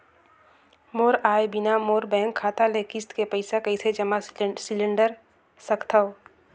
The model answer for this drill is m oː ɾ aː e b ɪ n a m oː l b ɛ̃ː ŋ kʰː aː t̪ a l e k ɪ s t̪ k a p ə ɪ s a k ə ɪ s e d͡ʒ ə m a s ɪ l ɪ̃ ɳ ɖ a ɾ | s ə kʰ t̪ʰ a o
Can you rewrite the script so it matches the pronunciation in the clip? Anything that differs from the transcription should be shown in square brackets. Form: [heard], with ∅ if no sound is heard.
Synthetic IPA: m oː ɾ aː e b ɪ n a m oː [ɾ] b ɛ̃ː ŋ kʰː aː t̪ a l e k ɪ s t̪ k [e] p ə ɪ s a k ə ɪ s e d͡ʒ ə m a s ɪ l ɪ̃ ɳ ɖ [ə] ɾ | s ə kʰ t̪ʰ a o

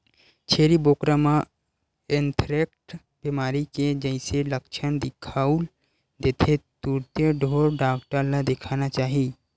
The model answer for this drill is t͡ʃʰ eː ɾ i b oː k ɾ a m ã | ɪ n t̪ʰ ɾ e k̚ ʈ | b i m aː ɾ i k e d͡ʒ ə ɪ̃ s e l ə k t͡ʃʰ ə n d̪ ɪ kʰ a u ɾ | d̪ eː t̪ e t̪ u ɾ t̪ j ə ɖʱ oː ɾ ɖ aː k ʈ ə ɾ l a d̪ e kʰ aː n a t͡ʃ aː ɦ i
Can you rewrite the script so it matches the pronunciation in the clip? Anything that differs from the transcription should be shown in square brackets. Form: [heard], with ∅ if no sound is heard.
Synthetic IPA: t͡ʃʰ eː ɾ i b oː k ɾ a m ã | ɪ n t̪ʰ ɾ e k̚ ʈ | b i m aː ɾ i k e d͡ʒ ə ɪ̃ s e l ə k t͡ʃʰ ə n d̪ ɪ kʰ a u [l] | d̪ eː [t̪ʰ] e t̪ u ɾ t̪ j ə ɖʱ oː ɾ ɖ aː k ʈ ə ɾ l a d̪ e kʰ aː n a t͡ʃ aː ɦ i

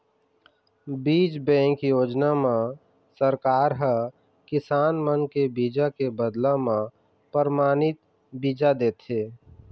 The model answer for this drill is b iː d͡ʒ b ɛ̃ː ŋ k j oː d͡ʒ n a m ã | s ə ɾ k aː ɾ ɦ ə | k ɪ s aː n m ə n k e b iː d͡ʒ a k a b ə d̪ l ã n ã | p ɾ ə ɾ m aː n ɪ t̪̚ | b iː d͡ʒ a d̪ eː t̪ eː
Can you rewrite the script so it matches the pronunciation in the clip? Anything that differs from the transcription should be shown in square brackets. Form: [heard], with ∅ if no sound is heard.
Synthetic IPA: b iː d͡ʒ b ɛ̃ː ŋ k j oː d͡ʒ n a m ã | s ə ɾ k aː ɾ ɦ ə | k ɪ s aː n m ə n k e b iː d͡ʒ a k [e] b ə d̪ l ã [m] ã | p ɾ ə ɾ m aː n ɪ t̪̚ | b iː d͡ʒ a d̪ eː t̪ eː

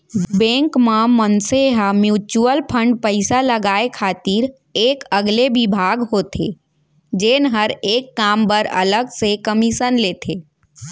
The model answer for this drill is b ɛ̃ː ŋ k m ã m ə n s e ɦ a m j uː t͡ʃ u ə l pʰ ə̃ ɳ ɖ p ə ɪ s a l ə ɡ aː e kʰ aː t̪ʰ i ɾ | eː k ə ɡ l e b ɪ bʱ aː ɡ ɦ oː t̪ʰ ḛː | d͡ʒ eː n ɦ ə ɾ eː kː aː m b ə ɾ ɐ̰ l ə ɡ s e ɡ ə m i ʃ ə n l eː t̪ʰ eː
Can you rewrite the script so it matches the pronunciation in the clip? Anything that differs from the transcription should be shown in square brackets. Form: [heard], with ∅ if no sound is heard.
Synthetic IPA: b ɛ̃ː ŋ k m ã m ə n s e ɦ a m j uː t͡ʃ u ə l pʰ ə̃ ɳ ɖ p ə ɪ s a l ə ɡ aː e kʰ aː [t̪] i ɾ | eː k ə ɡ l e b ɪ bʱ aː ɡ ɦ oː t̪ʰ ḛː | d͡ʒ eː n ɦ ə ɾ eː kː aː m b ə ɾ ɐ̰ l ə ɡ s e [k] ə m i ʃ ə n l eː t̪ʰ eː

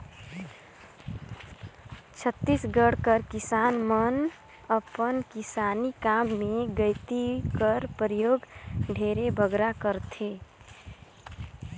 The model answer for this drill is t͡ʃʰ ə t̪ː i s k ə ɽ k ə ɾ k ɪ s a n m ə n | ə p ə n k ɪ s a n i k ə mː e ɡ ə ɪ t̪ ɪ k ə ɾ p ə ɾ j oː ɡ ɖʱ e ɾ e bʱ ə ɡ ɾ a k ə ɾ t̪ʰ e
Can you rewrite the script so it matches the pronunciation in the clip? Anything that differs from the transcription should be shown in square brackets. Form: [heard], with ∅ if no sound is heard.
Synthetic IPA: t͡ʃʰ ə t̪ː i s [ɡ] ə ɽ k ə ɾ k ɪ s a n m ə n | ə p ə n k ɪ s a n i k [a] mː e ɡ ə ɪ t̪ [i] k ə ɾ p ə ɾ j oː ɡ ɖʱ e ɾ e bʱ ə ɡ ɾ a k ə ɾ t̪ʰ e

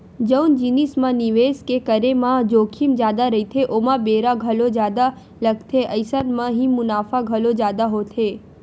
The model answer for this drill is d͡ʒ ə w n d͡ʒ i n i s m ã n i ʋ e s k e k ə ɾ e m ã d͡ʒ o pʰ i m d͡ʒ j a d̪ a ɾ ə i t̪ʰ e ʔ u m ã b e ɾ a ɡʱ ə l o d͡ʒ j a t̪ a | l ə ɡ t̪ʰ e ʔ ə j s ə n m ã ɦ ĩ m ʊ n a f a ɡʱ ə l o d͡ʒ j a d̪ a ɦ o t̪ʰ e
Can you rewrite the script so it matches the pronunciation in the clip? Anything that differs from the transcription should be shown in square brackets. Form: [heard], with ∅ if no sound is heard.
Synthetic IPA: d͡ʒ ə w n d͡ʒ i n i s m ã n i ʋ e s k e k ə ɾ e m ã d͡ʒ o [kʰ] i m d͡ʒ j a d̪ a ɾ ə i t̪ʰ e ʔ [o] m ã b e ɾ a ɡʱ ə l o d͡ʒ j a [d̪] a | l ə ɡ t̪ʰ e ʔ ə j s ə n m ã ɦ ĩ m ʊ n a f a ɡʱ ə l o d͡ʒ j a d̪ a ɦ o t̪ʰ e

